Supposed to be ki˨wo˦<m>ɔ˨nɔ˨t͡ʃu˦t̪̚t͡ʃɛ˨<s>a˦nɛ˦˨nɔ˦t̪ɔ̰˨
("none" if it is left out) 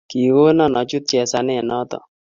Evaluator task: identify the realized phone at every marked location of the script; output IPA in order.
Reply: n, s

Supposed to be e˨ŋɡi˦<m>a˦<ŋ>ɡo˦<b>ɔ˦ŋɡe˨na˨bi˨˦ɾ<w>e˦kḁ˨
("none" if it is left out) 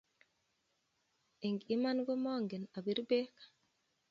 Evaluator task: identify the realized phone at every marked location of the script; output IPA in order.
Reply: m, n, m, b

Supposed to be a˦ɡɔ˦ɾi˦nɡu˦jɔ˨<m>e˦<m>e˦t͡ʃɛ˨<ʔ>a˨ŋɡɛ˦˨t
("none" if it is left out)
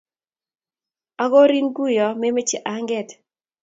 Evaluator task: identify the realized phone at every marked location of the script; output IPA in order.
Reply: m, m, ʔ

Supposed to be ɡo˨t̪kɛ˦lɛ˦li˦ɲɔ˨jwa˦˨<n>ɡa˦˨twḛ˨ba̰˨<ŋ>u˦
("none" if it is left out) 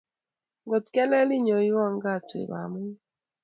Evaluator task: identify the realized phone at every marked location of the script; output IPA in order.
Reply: ŋ, m

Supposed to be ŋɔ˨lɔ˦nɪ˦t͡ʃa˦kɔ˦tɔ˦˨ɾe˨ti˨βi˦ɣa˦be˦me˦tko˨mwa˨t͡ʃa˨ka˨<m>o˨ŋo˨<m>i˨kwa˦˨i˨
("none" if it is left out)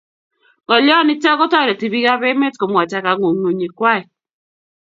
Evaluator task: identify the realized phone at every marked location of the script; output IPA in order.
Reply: ŋ, ɲ

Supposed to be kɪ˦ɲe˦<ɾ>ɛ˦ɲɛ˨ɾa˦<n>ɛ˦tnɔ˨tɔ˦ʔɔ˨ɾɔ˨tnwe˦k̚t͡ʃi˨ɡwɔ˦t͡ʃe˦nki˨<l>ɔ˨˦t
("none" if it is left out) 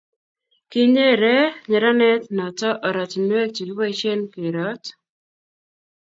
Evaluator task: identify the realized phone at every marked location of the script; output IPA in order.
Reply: ɾ, n, ɾ

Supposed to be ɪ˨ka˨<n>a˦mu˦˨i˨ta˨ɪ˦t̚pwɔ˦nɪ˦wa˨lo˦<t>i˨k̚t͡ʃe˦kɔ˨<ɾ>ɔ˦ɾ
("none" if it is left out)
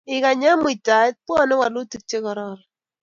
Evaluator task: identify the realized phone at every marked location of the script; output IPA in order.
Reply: ɲ, t, ɾ

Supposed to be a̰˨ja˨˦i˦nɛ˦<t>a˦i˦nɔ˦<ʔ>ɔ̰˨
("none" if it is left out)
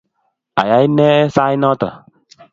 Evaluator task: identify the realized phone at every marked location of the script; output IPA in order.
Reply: s, t

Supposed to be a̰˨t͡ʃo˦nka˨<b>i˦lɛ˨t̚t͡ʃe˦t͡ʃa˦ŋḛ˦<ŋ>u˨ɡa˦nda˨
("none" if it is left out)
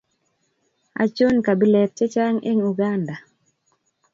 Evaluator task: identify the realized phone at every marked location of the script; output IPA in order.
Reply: b, ŋ

